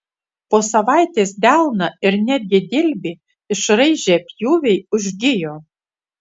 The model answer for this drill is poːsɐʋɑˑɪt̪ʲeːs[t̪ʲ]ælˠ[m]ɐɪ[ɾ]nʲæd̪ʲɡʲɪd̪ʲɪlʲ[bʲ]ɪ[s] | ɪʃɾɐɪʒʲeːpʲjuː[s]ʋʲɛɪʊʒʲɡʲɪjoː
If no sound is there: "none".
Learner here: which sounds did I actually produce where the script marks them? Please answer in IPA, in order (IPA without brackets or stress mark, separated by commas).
d̪ʲ, n, ɾ, bʲ, none, none